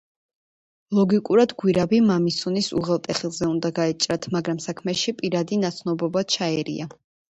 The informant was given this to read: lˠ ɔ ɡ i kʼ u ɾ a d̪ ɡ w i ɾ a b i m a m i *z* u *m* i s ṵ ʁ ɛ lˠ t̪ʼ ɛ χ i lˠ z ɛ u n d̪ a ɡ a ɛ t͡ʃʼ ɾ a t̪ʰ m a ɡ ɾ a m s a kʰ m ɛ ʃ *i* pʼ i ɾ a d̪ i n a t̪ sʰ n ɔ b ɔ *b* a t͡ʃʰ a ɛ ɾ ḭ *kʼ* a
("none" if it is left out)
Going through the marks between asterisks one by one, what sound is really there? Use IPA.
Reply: s, n, i, b, none

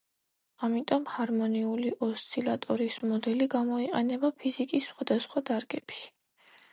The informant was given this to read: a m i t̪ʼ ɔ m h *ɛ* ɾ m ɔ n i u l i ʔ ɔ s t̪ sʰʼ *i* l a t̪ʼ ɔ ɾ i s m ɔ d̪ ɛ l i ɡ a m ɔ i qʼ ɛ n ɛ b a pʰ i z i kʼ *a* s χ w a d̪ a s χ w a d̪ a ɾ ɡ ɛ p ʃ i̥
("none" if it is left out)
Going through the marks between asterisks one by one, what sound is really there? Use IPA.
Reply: a, i, i

